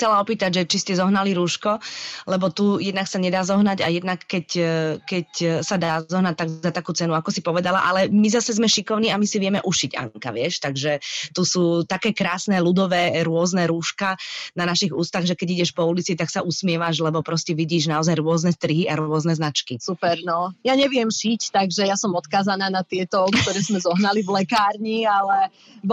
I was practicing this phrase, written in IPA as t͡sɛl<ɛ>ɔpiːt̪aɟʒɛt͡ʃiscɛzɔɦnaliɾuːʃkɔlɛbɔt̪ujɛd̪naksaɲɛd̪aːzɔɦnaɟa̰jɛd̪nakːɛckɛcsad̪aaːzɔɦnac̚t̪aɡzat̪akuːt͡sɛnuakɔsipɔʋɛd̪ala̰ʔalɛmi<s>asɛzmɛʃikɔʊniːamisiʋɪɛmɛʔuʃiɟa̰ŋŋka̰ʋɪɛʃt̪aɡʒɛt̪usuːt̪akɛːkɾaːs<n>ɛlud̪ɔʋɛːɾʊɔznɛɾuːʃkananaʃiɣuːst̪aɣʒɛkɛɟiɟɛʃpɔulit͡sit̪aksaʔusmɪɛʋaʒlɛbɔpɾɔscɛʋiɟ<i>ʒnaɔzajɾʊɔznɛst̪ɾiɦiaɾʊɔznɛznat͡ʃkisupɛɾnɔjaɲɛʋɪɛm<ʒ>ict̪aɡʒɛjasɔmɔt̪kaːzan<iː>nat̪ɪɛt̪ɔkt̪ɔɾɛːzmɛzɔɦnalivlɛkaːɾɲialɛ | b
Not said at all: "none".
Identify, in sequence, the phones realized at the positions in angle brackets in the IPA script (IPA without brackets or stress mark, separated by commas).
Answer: a, z, n, iː, ʃ, aː